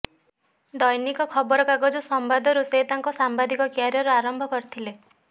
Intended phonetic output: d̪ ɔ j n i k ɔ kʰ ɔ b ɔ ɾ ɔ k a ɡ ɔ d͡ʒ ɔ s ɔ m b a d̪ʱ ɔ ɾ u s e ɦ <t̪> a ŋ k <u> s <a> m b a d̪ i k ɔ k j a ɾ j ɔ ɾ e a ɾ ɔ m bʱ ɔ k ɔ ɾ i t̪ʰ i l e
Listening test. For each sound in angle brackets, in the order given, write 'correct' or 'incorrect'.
correct, incorrect: ɔ, correct

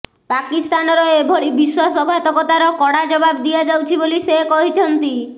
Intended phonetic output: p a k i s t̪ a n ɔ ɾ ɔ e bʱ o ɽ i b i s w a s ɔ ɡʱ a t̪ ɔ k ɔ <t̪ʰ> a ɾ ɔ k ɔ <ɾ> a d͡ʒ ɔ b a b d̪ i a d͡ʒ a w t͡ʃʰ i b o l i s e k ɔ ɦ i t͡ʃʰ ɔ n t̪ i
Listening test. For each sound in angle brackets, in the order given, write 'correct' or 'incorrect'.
incorrect: t̪, incorrect: ɽ

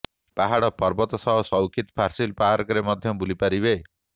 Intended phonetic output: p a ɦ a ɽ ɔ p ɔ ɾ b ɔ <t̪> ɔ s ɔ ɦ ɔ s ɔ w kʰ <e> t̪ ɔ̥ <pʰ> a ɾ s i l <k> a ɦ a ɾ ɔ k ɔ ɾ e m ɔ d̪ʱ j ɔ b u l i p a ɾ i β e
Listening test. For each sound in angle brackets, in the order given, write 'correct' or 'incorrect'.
correct, incorrect: i, correct, incorrect: p

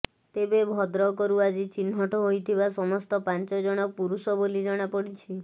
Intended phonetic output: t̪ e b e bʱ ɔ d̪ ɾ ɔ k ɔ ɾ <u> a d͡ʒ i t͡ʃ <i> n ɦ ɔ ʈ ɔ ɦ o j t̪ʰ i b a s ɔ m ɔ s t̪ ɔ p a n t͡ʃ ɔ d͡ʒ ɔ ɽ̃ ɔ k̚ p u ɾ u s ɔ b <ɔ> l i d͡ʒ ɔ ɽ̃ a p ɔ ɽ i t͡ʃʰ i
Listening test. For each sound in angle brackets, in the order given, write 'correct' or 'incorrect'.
correct, correct, incorrect: o

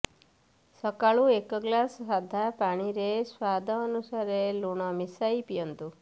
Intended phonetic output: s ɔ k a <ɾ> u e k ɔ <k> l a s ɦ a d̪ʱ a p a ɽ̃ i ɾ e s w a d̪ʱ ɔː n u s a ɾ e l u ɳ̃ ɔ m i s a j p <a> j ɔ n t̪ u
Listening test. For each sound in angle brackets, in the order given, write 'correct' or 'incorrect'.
incorrect: ɭ, incorrect: ɡ, incorrect: i

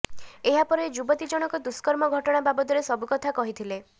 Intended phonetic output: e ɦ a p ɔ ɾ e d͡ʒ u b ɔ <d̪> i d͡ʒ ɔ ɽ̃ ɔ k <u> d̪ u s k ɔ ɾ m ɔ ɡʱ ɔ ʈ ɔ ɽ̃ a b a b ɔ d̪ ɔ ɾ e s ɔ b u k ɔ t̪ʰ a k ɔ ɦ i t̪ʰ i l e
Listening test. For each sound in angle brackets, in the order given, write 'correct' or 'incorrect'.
incorrect: t̪, incorrect: ɔ

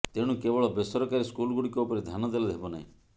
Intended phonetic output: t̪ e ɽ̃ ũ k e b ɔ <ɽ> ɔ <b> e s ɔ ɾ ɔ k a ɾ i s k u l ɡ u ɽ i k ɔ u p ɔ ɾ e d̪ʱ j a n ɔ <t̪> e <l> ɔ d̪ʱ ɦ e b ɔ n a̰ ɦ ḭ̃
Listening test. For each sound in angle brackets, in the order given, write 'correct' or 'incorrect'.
incorrect: ɭ, correct, incorrect: d̪, correct

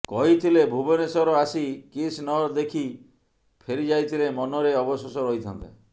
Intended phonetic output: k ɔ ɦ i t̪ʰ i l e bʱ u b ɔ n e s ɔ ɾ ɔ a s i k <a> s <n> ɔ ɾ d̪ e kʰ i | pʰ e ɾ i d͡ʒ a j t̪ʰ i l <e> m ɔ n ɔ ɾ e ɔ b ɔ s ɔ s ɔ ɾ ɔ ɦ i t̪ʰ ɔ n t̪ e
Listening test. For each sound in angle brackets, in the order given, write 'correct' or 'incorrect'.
incorrect: i, correct, correct

